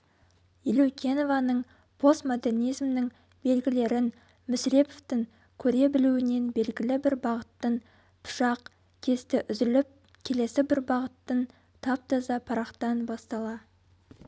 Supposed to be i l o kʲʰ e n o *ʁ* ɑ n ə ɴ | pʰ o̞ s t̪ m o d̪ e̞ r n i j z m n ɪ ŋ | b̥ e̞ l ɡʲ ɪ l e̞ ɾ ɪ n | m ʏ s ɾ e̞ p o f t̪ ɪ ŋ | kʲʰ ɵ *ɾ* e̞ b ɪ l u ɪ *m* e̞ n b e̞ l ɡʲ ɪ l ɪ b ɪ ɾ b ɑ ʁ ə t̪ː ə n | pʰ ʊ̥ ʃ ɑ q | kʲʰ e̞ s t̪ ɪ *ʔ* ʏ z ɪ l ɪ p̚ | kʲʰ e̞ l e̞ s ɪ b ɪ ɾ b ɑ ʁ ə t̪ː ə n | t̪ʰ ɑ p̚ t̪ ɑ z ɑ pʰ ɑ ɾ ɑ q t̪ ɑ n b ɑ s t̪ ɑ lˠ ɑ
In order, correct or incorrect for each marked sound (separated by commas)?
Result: incorrect, correct, incorrect, correct